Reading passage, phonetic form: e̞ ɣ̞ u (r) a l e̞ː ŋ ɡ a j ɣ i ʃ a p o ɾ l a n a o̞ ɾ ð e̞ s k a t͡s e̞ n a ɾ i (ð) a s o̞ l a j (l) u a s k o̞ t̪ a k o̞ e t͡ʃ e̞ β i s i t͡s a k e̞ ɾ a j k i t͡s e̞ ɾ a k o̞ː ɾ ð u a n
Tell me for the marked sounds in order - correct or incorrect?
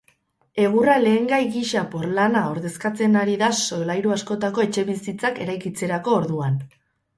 correct, correct, incorrect

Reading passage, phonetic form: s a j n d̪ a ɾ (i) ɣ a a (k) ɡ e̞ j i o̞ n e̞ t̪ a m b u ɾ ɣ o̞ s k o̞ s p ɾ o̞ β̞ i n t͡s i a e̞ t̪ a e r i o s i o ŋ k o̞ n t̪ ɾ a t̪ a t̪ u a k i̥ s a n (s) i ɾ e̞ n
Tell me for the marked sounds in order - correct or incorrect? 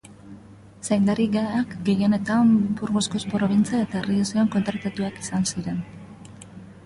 correct, correct, correct

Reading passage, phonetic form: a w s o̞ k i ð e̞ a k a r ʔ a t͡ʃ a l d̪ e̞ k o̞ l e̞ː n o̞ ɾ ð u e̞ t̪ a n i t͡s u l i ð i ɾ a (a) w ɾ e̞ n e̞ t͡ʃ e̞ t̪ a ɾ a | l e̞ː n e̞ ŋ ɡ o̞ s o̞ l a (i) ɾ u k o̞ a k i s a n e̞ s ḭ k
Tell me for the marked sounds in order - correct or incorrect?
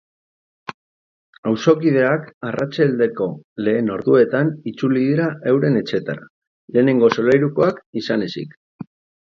incorrect, incorrect

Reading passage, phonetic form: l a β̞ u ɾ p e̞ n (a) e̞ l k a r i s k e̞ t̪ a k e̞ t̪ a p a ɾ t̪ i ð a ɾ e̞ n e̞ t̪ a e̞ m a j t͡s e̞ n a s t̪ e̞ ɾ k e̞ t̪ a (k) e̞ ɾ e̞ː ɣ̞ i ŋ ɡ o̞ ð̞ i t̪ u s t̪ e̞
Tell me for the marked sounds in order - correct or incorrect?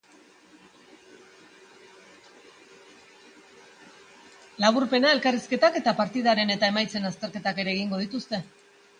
correct, correct

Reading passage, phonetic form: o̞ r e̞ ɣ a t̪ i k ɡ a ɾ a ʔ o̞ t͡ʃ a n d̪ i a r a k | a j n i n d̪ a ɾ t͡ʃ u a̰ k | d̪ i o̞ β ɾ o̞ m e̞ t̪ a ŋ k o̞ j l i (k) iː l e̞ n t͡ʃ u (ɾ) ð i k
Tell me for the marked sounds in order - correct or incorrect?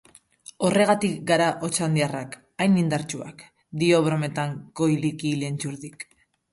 correct, correct

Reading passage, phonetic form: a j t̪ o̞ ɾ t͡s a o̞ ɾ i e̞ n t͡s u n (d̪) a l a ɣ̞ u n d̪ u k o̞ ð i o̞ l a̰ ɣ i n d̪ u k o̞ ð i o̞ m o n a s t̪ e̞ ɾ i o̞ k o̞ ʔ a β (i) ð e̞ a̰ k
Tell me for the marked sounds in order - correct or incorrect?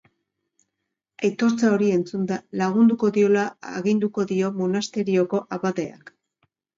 correct, incorrect

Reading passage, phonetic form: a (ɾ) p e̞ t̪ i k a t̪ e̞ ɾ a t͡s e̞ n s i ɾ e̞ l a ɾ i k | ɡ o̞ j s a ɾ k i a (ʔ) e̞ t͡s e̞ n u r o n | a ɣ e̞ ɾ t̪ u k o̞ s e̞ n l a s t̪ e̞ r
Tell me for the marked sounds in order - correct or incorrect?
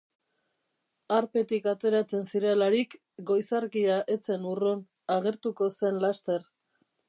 correct, correct

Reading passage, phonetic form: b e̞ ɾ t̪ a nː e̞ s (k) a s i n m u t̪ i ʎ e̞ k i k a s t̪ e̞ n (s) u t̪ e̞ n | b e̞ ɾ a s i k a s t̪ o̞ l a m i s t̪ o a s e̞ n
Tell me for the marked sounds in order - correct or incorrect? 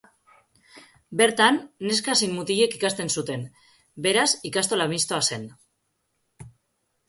correct, correct

